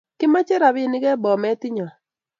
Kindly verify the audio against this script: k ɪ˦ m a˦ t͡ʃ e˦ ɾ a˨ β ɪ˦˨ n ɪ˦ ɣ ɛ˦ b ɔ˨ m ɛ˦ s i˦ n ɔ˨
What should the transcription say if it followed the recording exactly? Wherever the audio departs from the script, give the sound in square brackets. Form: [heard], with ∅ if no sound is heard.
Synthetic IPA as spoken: k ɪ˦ m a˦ t͡ʃ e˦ ɾ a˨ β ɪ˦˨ n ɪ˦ ɣ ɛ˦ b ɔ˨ m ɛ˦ [t] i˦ [ɲ] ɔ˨